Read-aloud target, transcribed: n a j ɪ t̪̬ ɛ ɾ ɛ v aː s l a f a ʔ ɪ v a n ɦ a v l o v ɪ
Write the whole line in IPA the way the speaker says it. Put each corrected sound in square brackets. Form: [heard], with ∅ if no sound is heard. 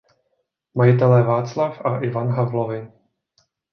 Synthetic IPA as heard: [m] a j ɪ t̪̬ ɛ [l] ɛ v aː [t͡s] l a f a ʔ ɪ v a n ɦ a v l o v ɪ